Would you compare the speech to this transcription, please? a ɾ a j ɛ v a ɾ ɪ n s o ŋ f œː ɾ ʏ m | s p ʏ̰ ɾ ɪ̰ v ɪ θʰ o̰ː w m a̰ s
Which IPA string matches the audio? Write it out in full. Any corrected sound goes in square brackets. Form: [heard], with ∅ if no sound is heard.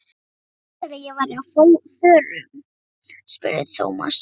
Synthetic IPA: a ɾ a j ɛ v a ɾ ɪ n [h] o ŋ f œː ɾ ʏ m | s p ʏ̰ ɾ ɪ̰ [ð] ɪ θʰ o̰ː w m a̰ s